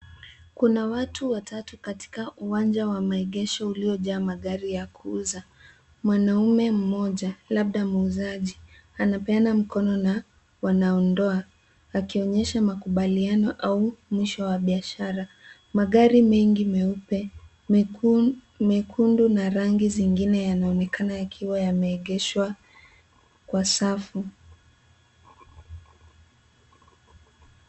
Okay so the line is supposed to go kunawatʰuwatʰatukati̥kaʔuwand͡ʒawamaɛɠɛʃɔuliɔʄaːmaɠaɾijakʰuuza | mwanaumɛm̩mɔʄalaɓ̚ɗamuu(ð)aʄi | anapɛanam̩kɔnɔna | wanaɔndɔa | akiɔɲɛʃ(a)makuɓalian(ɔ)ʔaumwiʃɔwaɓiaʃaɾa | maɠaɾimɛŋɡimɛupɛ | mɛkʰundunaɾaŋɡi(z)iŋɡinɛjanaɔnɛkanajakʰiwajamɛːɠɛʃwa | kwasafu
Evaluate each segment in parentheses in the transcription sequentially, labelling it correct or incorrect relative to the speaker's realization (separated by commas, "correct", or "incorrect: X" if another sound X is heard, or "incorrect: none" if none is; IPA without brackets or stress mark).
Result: incorrect: z, correct, correct, correct